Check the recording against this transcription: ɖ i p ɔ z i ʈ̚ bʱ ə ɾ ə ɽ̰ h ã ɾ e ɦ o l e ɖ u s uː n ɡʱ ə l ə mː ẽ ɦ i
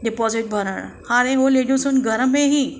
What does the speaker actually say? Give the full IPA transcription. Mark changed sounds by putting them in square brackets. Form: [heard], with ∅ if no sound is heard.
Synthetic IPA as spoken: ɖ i p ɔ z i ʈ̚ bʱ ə ɾ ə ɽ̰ h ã ɾ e ɦ o l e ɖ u s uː n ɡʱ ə [ɾ] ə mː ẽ ɦ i

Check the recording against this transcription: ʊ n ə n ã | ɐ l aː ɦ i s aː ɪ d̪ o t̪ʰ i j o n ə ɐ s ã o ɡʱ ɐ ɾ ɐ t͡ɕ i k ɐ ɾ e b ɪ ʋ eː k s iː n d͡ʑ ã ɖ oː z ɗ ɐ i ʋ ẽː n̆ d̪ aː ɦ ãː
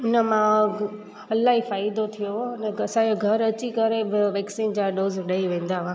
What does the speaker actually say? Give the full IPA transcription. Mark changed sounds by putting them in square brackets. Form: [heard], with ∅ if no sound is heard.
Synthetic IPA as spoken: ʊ n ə [m] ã | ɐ l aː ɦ i [f] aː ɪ d̪ o t̪ʰ i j o n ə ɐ s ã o ɡʱ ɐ ɾ ɐ t͡ɕ i k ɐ ɾ e b ɪ ʋ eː k s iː n d͡ʑ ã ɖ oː z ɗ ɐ i ʋ ẽː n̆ d̪ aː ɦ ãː

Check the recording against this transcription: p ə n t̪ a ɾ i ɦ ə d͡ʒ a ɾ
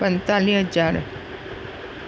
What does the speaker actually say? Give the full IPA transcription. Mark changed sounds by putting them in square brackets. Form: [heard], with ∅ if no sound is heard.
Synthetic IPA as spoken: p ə n t̪ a [l] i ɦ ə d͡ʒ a ɾ

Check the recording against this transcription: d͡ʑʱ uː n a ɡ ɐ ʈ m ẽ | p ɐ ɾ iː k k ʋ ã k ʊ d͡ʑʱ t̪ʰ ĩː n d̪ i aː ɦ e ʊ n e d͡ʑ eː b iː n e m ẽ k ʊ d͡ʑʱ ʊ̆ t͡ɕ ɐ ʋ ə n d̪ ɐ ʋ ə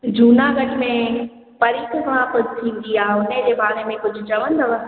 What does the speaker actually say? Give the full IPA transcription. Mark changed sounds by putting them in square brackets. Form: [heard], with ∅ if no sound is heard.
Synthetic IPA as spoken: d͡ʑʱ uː n a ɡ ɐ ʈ m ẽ | p ɐ ɾ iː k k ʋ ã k ʊ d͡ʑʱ t̪ʰ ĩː n d̪ i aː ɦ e ʊ n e d͡ʑ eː b [aː] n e m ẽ k ʊ d͡ʑʱ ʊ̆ t͡ɕ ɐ ʋ ə n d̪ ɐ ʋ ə

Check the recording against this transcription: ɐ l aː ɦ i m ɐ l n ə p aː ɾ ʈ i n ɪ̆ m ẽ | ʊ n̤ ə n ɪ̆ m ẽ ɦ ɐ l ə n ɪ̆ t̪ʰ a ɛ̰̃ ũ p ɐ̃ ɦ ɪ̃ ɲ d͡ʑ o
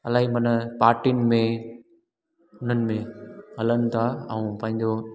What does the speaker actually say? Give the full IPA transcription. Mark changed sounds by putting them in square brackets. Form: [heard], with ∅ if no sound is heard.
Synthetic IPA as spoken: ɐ l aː ɦ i m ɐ [∅] n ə p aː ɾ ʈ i n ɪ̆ m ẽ | ʊ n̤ ə n ɪ̆ m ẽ ɦ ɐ l ə n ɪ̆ t̪ʰ a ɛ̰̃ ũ p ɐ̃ ɦ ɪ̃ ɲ d͡ʑ o

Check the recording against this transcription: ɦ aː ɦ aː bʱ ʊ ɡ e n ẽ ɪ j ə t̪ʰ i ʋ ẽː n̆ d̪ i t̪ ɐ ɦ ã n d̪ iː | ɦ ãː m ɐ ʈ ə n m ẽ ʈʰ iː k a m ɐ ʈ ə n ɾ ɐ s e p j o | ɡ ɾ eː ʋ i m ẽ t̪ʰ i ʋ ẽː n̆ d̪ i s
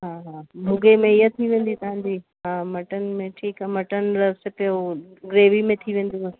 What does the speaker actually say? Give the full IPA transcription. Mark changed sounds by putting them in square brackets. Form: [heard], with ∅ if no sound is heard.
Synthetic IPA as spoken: ɦ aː ɦ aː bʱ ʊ ɡ e [m] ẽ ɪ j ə t̪ʰ i ʋ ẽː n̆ d̪ i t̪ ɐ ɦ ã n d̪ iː | ɦ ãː m ɐ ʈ ə n m ẽ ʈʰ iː k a m ɐ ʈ ə n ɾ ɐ s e p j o | ɡ ɾ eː ʋ i m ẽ t̪ʰ i ʋ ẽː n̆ d̪ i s

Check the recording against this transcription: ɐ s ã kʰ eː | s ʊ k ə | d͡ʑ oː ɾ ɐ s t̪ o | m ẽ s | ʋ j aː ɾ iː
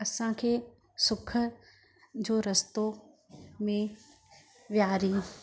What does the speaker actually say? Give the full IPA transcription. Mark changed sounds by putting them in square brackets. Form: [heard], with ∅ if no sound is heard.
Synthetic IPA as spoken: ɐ s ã kʰ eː | s ʊ [kʰ] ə | d͡ʑ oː ɾ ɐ s t̪ o | m ẽ [∅] | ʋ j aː ɾ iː

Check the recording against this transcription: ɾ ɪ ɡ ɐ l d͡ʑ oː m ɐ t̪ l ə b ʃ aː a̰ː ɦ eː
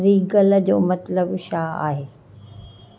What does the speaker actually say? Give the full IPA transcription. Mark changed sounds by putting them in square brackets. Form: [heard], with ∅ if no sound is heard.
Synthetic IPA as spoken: ɾ [i] ɡ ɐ l d͡ʑ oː m ɐ t̪ l ə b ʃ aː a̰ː ɦ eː

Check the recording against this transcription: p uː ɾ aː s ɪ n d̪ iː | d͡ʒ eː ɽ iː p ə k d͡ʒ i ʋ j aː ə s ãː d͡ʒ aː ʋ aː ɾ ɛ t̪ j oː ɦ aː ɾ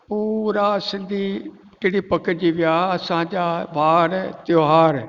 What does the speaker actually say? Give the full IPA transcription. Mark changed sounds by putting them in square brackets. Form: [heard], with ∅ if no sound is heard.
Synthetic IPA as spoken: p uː ɾ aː s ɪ n d̪ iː | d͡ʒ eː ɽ iː p ə k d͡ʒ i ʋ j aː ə s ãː d͡ʒ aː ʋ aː ɾ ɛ t̪ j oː ɦ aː ɾ

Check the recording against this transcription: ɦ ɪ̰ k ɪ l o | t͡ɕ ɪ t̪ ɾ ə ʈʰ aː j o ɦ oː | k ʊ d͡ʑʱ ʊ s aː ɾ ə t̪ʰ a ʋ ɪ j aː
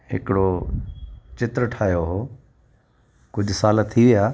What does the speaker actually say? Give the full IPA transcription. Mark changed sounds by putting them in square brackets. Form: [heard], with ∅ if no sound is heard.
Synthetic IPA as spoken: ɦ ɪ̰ k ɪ [ɽ] o | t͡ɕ ɪ t̪ ɾ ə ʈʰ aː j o ɦ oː | k ʊ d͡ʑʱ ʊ s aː [l] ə t̪ʰ [i] ʋ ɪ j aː

